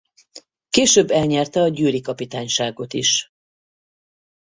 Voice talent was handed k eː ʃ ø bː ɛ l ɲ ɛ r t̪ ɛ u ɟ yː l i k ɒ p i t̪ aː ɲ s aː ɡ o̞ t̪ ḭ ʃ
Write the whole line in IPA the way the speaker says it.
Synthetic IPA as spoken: k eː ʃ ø bː ɛ l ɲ ɛ r t̪ ɛ ɒ ɟ yː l i k ɒ p i t̪ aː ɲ ʃ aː ɡ o̞ t̪ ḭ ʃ